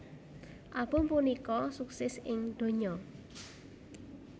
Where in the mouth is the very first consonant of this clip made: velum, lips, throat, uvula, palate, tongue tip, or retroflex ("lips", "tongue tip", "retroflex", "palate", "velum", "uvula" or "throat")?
throat